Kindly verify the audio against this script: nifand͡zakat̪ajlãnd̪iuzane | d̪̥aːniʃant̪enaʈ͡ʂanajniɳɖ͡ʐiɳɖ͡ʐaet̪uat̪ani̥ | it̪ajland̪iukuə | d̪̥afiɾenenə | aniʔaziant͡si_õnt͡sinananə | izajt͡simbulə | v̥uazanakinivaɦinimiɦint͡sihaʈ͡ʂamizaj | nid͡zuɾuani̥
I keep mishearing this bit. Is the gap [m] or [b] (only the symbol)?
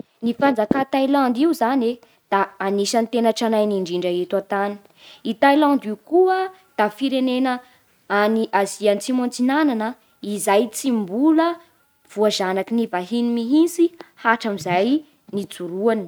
m